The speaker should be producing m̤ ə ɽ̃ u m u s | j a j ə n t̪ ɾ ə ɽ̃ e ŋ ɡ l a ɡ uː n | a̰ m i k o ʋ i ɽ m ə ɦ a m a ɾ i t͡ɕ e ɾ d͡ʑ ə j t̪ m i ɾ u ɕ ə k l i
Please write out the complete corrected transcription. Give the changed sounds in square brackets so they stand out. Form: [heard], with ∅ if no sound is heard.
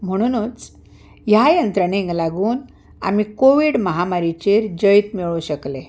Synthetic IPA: m̤ ə ɽ̃ u [n] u [t͡s] | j a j ə n t̪ ɾ ə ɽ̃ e ŋ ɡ l a ɡ uː n | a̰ m i k o ʋ i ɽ m ə ɦ a m a ɾ i t͡ɕ e ɾ d͡ʑ ə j t̪ m i [ɭ] u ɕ ə k l [e]